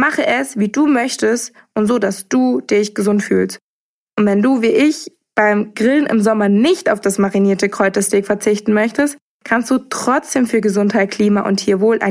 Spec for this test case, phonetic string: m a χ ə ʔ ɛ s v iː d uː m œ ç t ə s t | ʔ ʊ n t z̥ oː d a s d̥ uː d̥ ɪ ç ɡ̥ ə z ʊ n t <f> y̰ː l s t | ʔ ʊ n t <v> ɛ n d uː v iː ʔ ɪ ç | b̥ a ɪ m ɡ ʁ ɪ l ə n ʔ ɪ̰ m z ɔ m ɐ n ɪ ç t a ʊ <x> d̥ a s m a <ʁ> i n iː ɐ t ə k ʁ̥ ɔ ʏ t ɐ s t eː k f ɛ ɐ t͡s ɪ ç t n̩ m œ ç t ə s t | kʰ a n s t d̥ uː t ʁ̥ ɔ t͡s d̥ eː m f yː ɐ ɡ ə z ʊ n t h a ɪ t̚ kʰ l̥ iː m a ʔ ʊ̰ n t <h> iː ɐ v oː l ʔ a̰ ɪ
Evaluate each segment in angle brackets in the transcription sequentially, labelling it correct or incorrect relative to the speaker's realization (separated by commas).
correct, correct, incorrect, correct, correct